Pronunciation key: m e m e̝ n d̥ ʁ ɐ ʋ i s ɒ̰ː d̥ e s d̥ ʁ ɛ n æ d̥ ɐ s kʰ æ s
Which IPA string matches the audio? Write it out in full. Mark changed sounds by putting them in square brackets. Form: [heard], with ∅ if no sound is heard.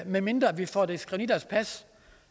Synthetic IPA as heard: m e m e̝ n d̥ ʁ ɐ ʋ i [f] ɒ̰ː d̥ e s [ɡ̥] ʁ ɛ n [i] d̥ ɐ s [pʰ] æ s